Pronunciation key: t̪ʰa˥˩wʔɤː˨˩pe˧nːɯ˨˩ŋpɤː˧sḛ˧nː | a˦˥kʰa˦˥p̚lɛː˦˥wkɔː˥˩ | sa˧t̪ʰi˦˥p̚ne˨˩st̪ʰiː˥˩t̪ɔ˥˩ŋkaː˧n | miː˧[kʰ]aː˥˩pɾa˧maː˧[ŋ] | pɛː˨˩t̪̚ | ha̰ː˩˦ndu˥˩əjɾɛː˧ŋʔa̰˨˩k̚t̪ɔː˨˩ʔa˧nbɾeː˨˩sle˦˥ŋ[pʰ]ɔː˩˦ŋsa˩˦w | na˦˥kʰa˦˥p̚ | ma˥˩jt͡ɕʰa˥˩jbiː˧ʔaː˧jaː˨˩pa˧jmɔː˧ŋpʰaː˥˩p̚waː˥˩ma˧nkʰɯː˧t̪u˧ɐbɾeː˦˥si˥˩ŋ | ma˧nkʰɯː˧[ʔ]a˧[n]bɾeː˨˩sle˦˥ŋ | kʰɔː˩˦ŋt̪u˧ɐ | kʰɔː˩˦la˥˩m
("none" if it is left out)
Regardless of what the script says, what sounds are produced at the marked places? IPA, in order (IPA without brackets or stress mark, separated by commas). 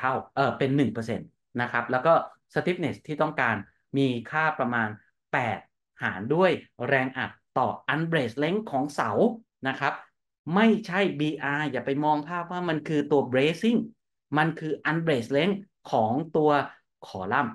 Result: kʰ, n, kʰ, ʔ, n